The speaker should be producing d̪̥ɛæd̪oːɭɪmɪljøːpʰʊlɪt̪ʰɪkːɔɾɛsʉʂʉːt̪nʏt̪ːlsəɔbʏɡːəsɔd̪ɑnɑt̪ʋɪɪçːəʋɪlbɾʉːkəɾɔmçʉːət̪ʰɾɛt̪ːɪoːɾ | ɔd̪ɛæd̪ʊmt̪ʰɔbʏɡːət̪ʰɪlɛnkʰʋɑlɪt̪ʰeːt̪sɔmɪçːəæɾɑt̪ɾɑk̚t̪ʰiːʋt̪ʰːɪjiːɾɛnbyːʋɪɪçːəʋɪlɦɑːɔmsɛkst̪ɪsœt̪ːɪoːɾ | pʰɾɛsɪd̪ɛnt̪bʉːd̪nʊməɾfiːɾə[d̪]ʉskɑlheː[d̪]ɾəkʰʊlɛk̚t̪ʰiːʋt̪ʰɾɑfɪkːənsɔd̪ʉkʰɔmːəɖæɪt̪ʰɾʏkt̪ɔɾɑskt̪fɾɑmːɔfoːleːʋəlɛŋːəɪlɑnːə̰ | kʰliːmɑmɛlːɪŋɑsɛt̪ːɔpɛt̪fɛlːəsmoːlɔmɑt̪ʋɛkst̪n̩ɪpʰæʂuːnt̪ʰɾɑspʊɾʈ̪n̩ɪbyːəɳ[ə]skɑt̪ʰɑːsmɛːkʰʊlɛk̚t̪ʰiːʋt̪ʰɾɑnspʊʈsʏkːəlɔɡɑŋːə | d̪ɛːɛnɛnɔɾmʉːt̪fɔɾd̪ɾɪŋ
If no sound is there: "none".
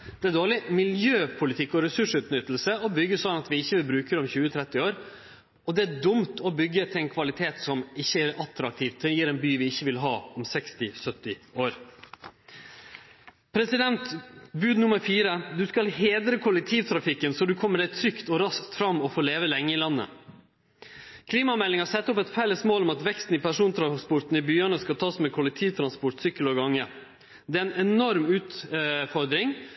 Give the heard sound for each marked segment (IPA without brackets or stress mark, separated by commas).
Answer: d̪, d̪, ə